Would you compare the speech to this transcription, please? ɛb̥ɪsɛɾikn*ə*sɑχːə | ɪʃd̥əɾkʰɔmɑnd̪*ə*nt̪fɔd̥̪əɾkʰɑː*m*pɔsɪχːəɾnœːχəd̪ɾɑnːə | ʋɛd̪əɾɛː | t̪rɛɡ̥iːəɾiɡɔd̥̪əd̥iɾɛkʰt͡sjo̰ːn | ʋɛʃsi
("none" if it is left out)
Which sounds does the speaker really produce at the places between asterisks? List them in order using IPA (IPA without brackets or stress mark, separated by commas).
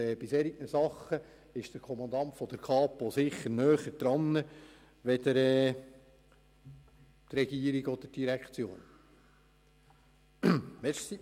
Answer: ə, ɑ, none